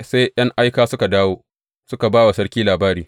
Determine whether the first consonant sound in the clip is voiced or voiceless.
voiceless